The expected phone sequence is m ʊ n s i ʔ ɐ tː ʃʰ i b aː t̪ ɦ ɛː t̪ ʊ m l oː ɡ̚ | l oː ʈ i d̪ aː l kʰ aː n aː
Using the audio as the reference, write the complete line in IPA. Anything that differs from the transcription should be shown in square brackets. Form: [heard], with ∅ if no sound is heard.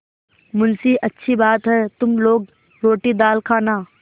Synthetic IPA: m ʊ n s i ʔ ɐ tː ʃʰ i b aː t̪ ɦ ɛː t̪ ʊ m l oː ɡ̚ | [ɾ] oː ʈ i d̪ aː l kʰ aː n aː